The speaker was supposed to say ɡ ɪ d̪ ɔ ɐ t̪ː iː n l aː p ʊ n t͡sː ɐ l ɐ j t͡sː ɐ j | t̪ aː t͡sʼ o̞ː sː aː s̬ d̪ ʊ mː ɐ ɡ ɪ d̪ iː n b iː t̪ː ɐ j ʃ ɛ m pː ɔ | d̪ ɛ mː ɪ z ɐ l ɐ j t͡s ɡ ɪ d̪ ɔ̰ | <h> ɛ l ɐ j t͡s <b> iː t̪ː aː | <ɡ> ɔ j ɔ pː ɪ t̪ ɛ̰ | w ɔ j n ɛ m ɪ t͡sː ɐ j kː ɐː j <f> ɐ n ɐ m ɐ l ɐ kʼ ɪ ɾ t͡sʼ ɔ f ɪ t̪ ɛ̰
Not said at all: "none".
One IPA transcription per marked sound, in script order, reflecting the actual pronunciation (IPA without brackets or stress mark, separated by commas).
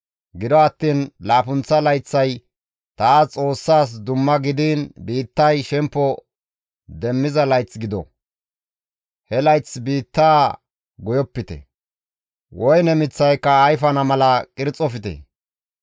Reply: h, b, ɡ, f